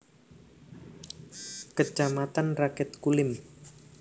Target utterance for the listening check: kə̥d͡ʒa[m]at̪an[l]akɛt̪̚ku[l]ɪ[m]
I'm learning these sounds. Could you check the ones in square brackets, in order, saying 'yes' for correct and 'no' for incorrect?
yes, no, yes, yes

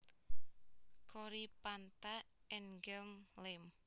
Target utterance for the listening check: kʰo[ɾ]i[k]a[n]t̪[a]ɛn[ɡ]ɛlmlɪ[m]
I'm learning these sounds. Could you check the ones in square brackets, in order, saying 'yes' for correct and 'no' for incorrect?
yes, no, yes, yes, yes, yes

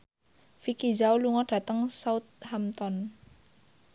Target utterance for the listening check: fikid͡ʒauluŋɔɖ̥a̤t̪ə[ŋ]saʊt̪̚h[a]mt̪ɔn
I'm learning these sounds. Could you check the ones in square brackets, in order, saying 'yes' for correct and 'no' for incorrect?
yes, yes

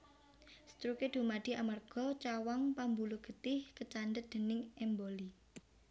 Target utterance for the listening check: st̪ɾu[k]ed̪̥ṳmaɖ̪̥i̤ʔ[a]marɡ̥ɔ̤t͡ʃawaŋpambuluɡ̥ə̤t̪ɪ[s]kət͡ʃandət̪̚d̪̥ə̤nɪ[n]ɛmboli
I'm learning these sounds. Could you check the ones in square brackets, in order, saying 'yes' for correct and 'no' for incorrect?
yes, yes, no, no

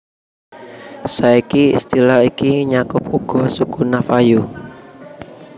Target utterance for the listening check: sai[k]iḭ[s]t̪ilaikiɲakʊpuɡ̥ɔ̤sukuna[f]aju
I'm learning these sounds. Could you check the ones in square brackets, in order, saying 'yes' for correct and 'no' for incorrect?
yes, yes, yes

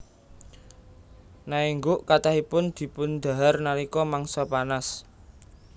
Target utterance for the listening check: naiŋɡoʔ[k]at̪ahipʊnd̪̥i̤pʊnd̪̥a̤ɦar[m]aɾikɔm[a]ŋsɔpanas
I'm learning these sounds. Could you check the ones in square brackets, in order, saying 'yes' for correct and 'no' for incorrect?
yes, no, yes

